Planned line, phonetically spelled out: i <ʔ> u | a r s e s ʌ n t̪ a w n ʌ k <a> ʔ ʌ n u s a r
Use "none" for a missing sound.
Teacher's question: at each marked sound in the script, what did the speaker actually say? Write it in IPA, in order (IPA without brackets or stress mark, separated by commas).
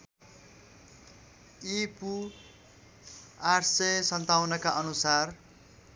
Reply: p, a